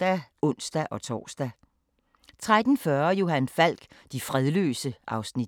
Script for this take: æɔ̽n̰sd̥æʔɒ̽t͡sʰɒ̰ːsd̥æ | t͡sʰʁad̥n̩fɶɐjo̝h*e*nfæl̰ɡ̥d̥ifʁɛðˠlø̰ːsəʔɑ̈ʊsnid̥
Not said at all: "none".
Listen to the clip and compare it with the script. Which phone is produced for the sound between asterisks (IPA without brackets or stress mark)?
æ